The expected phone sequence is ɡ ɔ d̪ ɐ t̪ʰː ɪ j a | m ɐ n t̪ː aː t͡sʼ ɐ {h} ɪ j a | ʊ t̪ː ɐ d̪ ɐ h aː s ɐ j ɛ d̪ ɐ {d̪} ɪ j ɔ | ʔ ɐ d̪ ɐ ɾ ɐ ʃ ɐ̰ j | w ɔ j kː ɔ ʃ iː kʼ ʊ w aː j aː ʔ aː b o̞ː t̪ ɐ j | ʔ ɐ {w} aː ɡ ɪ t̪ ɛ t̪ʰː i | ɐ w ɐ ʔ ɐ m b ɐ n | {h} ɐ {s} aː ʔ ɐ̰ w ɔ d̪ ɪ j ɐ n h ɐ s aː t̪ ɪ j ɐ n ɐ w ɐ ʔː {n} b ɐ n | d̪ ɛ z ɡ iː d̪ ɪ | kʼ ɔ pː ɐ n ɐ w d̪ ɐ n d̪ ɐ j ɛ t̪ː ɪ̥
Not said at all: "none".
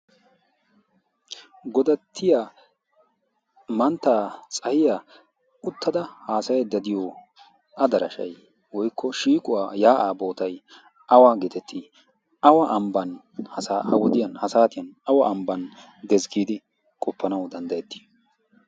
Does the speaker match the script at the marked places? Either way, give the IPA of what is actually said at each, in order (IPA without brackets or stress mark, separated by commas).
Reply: h, d̪, w, h, s, m